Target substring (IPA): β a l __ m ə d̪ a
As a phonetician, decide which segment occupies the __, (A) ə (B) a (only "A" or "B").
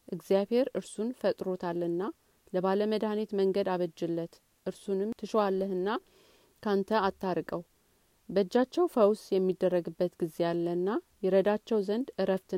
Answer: A